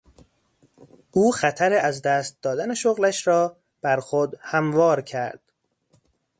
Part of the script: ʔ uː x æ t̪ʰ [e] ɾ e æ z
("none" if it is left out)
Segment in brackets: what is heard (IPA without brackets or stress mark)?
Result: æ